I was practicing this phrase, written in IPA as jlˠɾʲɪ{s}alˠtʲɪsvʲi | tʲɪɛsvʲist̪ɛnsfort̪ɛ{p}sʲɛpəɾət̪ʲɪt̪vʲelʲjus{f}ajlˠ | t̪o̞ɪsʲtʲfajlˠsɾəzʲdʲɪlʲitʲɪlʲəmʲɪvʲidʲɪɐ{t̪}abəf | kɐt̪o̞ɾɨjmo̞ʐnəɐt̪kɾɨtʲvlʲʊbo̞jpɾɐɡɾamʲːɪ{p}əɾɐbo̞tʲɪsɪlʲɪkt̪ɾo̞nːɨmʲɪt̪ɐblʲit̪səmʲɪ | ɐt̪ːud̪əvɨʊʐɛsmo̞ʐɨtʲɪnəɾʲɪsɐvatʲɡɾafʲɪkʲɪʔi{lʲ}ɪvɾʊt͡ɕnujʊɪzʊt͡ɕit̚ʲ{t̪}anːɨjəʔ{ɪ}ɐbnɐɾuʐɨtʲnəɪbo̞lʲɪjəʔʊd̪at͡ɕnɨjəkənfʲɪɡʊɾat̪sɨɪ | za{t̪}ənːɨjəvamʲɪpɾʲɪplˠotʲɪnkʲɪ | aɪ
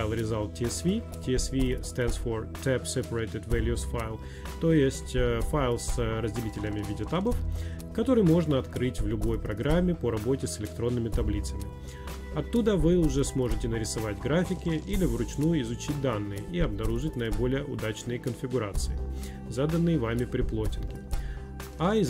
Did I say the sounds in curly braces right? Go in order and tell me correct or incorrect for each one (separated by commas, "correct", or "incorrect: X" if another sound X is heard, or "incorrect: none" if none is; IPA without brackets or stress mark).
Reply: incorrect: z, correct, correct, correct, correct, correct, incorrect: d̪, incorrect: i, incorrect: d̪